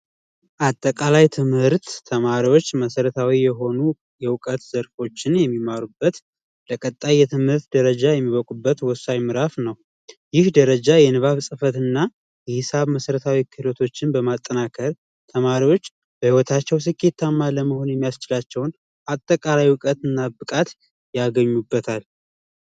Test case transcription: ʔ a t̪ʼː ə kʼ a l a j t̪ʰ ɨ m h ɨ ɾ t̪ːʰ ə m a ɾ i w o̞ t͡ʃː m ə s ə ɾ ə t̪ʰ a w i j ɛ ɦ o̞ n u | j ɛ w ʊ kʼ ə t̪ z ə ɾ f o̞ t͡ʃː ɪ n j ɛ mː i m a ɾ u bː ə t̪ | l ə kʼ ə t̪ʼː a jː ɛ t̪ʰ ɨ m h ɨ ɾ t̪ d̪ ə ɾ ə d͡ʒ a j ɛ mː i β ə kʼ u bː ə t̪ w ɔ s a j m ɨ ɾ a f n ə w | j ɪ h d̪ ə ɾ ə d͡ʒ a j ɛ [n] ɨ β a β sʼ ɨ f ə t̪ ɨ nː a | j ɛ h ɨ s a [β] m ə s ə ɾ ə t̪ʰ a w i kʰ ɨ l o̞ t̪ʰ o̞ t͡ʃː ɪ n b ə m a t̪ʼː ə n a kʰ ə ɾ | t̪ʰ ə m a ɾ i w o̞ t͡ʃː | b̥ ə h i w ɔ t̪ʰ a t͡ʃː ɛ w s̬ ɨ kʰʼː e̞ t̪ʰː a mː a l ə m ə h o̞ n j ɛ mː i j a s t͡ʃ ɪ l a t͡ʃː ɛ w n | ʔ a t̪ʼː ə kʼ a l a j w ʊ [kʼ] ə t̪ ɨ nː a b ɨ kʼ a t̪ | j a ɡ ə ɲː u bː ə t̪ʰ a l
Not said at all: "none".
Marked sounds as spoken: n, β, kʼ

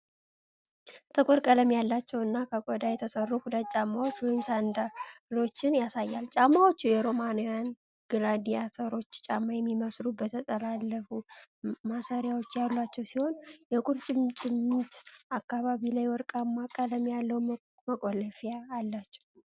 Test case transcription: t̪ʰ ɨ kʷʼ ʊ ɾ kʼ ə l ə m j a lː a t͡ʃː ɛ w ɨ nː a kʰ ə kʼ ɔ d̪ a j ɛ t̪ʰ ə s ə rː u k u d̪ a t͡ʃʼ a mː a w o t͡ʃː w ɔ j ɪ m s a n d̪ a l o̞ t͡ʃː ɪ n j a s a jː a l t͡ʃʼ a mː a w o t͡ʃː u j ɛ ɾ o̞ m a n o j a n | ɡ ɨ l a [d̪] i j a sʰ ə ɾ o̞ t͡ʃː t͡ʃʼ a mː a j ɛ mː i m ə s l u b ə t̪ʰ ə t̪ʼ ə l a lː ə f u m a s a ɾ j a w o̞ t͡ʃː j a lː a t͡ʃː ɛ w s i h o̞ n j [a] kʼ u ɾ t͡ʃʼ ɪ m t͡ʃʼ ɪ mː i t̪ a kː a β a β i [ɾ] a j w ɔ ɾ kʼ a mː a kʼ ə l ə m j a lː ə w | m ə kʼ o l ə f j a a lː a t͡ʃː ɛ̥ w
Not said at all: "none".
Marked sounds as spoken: d̪, ɛ, l

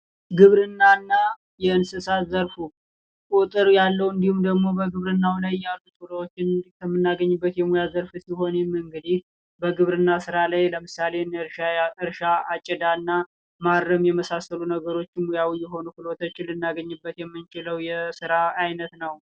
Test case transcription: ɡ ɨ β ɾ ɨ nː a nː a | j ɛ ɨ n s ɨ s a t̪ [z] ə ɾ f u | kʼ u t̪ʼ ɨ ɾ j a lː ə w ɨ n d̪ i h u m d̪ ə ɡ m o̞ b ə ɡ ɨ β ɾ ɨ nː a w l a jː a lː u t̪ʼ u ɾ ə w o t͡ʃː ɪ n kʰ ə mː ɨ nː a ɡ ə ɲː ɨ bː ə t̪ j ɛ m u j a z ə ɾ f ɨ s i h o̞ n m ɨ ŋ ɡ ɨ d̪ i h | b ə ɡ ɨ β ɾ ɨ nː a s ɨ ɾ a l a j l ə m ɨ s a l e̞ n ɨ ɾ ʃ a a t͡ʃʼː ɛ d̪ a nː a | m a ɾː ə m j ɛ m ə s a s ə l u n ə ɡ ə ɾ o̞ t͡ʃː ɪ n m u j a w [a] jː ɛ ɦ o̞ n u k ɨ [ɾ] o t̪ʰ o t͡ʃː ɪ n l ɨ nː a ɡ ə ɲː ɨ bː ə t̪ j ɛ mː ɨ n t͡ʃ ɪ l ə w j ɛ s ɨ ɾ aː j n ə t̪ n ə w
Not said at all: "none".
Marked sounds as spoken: z, i, l

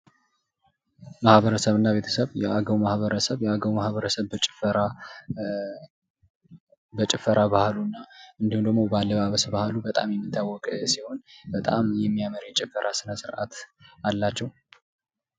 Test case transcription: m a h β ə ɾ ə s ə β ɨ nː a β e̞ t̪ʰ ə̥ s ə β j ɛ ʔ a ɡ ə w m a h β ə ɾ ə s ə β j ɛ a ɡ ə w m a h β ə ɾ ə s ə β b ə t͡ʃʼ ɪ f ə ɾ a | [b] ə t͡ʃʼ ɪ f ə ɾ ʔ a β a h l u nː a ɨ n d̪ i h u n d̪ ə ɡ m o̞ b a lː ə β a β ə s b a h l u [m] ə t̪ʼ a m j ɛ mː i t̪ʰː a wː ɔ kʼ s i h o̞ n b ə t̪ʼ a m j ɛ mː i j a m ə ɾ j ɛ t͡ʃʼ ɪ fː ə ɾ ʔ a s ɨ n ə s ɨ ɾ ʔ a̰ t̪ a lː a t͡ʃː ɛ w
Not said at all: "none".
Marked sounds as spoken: b, b

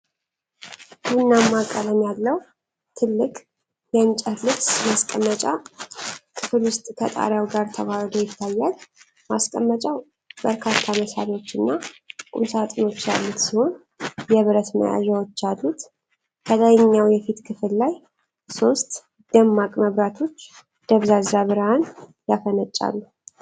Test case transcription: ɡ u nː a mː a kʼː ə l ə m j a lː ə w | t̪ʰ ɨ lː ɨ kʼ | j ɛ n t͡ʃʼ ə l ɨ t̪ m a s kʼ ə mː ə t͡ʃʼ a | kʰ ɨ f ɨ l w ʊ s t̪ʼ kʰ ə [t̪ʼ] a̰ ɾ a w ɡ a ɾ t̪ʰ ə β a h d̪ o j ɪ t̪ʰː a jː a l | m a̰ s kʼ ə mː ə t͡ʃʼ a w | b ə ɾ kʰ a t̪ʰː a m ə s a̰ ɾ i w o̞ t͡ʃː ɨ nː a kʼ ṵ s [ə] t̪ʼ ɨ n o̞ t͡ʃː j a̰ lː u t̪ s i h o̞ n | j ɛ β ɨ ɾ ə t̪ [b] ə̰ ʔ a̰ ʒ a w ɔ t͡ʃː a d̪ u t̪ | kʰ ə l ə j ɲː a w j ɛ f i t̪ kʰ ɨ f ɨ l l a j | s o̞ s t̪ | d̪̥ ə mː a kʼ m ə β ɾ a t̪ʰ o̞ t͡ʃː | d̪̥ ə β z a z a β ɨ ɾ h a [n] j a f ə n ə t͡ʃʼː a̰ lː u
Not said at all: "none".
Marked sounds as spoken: t̪ʼ, a, m, n

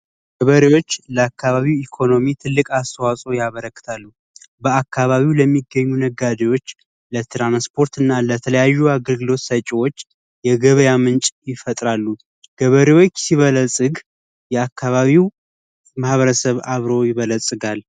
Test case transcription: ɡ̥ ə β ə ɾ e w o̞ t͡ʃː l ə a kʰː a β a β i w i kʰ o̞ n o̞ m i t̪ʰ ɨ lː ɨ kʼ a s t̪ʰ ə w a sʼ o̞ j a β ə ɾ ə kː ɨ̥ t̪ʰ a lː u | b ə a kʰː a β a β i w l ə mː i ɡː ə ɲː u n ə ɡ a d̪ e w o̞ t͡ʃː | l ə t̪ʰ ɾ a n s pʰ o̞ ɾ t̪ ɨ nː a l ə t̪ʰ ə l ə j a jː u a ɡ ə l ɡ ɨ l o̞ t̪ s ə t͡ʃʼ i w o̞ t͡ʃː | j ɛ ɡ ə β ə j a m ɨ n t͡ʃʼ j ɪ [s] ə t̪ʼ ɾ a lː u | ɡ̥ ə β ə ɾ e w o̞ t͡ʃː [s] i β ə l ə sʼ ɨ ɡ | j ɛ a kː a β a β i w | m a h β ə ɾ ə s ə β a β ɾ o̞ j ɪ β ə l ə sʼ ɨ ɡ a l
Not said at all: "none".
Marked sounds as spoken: f, s

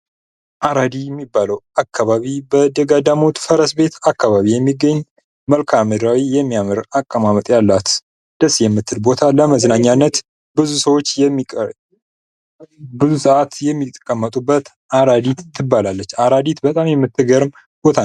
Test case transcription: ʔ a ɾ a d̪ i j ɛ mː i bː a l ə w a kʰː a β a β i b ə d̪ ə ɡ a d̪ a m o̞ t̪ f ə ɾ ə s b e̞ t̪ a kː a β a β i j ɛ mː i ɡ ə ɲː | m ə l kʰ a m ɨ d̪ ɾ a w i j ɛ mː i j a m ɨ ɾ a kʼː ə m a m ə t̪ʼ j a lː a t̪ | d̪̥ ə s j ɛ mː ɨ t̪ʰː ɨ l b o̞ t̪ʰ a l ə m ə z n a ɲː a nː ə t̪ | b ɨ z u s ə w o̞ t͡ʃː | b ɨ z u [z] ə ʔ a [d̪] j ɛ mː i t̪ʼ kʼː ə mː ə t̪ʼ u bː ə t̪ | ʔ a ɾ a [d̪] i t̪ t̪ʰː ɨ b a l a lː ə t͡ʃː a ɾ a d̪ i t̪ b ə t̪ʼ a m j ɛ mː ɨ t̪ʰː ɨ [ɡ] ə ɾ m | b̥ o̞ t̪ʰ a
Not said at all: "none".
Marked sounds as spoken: s, t̪, d̪, ɡ

